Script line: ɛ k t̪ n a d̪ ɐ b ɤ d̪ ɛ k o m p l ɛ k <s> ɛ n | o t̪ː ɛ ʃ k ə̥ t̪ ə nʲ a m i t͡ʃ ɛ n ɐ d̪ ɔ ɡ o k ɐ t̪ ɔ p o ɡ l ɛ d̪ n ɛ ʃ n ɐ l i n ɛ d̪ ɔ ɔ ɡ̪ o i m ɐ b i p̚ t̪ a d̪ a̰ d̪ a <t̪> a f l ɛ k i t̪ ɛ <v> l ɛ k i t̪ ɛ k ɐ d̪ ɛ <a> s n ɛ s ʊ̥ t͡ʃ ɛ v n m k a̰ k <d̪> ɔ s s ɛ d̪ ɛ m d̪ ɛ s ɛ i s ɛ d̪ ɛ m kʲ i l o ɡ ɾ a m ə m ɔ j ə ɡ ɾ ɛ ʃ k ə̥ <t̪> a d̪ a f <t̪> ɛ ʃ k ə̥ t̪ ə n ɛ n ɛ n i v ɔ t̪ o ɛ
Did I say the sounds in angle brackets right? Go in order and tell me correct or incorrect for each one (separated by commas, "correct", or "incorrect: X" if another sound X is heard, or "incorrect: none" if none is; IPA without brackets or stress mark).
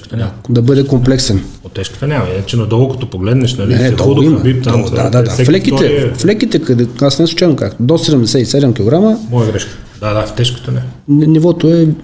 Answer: correct, incorrect: d̪, incorrect: f, correct, correct, incorrect: d̪, correct